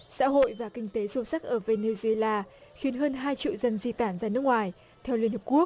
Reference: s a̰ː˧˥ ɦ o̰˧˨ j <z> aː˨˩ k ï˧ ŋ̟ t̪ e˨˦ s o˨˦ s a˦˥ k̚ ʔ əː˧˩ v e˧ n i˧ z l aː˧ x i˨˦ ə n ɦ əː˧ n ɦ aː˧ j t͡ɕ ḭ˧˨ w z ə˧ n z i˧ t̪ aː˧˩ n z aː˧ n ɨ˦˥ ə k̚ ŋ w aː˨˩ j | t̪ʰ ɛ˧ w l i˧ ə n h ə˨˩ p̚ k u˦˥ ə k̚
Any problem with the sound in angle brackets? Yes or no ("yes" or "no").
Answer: yes